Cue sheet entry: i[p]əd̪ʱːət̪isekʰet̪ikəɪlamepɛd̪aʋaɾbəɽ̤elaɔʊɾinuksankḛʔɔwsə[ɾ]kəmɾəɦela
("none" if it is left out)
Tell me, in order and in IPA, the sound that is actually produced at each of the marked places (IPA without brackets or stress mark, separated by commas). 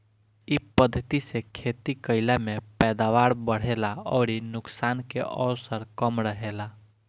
p, ɾ